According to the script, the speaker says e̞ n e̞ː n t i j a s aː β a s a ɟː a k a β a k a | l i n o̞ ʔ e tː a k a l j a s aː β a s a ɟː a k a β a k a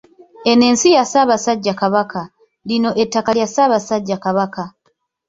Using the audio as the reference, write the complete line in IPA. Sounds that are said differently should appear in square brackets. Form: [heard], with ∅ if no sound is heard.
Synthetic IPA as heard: e̞ n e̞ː n [s] i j a s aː β a s a ɟː a k a β a k a | l i n o̞ ʔ e tː a k a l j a s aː β a s a ɟː a k a β a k a